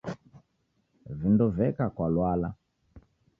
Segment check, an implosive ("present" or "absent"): absent